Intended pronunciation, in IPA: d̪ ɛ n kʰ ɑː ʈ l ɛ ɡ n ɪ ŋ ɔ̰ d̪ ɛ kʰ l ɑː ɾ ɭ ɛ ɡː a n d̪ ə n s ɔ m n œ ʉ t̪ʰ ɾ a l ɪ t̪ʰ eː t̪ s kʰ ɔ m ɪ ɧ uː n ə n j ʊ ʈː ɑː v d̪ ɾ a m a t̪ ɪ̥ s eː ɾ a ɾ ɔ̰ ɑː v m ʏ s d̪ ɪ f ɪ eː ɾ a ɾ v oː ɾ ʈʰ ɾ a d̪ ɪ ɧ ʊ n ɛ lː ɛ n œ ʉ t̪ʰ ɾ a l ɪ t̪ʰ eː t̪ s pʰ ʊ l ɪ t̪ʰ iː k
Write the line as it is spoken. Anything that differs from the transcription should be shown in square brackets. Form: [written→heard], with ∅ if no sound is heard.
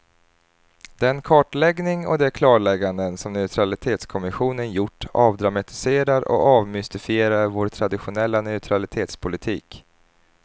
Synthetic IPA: d̪ ɛ n kʰ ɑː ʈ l ɛ ɡ n ɪ ŋ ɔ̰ d̪ ɛ kʰ l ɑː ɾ ɭ ɛ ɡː a n d̪ ə n s ɔ m n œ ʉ t̪ʰ ɾ a l ɪ t̪ʰ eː t̪ s kʰ ɔ m ɪ ɧ uː n ə n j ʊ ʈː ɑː v d̪ ɾ a m a t̪ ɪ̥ s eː ɾ a ɾ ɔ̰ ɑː v m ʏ s [d̪→t̪] ɪ f ɪ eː ɾ a ɾ v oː ɾ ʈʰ ɾ a d̪ ɪ ɧ ʊ n ɛ lː [ɛ→a] n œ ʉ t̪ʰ ɾ a l ɪ t̪ʰ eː t̪ s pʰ ʊ l ɪ t̪ʰ iː k